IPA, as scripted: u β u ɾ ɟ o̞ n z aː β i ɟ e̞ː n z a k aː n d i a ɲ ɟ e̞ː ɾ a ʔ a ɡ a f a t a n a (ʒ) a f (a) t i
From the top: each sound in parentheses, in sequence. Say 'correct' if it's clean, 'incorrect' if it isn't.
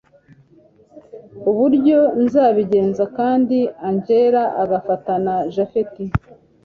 correct, incorrect: e

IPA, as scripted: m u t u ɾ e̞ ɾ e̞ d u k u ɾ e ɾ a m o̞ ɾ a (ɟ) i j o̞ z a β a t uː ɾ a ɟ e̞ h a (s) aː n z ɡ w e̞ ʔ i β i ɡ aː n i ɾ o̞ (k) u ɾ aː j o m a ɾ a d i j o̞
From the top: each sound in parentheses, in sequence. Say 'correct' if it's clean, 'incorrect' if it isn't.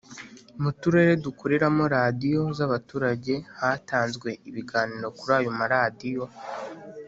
incorrect: d, incorrect: t, correct

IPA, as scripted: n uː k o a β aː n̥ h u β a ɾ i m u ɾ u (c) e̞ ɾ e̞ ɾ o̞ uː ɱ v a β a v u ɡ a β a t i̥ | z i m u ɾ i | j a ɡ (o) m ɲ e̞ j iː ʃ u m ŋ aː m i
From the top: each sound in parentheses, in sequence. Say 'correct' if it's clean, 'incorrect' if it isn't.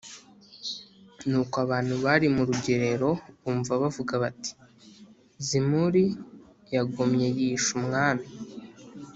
incorrect: ɟ, correct

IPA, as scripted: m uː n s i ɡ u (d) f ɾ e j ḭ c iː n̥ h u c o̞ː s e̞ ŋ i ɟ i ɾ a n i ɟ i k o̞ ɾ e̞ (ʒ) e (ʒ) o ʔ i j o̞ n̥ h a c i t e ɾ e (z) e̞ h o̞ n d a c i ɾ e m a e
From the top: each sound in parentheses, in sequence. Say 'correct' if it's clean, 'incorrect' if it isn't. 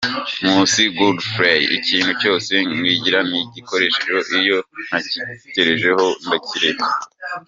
correct, incorrect: ʃ, correct, incorrect: ʒ

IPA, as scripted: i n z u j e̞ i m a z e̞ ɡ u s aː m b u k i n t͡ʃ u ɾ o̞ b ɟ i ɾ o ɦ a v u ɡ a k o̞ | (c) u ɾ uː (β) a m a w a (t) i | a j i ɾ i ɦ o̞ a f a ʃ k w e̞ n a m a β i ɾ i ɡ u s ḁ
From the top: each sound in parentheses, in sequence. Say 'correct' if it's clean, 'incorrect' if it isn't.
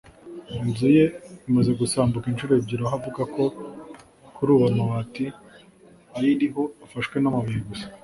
incorrect: k, correct, correct

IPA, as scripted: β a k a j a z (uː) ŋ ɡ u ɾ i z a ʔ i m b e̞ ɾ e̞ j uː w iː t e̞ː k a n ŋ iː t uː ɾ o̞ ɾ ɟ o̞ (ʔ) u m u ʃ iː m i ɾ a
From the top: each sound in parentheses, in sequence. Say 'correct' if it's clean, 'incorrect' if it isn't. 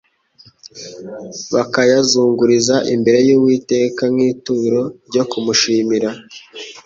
correct, incorrect: k

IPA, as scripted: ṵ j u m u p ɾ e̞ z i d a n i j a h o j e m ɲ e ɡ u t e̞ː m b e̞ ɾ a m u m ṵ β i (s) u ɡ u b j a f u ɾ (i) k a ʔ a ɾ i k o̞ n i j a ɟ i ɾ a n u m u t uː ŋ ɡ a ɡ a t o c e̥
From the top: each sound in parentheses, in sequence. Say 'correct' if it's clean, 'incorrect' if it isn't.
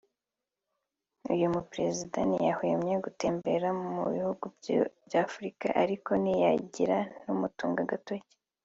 incorrect: h, correct

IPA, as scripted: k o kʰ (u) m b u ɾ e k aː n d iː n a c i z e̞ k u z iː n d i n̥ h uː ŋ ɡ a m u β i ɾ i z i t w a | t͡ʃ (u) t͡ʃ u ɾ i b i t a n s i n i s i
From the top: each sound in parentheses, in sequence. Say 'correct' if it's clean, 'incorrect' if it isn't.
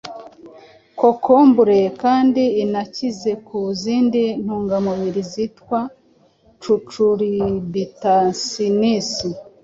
incorrect: o, correct

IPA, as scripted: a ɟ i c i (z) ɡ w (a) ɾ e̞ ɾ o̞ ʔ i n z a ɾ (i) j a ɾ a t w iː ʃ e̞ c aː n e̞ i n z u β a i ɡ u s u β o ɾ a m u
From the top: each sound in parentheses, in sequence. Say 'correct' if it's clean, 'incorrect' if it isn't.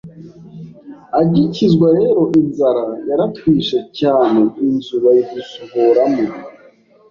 correct, correct, incorrect: a

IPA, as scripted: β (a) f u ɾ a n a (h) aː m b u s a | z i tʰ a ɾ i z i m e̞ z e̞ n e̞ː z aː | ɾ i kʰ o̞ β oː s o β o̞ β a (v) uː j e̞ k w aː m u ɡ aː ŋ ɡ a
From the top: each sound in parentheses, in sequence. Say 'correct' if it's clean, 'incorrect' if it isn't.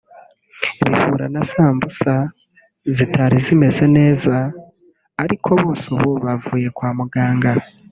incorrect: i, incorrect: s, correct

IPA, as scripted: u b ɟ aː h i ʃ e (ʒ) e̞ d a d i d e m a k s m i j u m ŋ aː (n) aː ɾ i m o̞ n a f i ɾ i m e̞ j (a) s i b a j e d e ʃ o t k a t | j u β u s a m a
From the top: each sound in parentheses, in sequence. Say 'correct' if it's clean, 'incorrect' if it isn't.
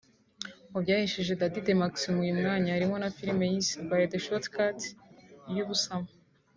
correct, incorrect: ɲ, incorrect: i

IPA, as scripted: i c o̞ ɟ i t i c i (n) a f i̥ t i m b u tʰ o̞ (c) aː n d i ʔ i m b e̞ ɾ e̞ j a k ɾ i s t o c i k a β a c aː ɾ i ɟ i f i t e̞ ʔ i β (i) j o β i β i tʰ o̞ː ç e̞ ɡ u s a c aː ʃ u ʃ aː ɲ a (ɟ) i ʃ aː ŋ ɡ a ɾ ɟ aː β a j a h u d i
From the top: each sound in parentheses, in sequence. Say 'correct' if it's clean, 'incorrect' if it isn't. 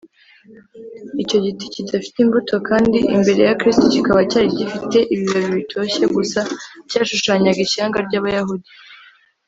incorrect: d, incorrect: k, correct, incorrect: ɡ

